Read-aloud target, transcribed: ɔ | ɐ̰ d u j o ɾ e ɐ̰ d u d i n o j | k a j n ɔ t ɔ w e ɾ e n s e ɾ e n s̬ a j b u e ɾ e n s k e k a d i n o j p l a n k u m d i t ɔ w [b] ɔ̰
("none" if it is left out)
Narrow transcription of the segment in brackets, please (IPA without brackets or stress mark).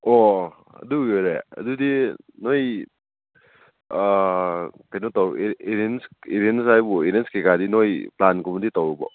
b